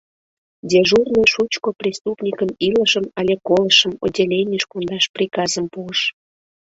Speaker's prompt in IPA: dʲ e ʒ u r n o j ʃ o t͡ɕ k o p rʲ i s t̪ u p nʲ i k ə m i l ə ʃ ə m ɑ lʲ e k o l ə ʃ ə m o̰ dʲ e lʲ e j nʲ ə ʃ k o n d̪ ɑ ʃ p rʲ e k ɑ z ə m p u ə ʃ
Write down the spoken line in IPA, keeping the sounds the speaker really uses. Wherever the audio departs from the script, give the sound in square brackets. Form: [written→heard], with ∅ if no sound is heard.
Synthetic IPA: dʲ e ʒ u r n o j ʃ [o→u] t͡ɕ k o p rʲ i s t̪ u p nʲ i k ə m i l ə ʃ ə m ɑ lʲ e k o l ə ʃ ə m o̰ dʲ e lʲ e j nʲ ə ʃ k o n d̪ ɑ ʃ p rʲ [e→i] k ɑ z ə m p u ə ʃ